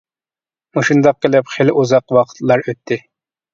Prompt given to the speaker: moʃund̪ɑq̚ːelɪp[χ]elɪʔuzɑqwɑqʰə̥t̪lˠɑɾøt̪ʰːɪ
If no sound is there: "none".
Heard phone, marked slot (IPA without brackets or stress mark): χ